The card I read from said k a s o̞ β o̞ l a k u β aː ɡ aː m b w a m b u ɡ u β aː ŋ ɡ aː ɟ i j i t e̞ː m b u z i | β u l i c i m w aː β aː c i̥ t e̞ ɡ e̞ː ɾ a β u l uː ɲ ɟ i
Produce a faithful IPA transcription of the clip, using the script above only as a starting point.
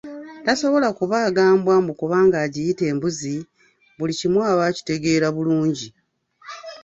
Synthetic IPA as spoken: t a s o̞ β o̞ l a k u β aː ɡ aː m b w a m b u k u β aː ŋ ɡ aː ɟ i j i t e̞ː m b u z i | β u l i c i m w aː β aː c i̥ t e̞ ɡ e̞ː ɾ a β u l uː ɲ ɟ i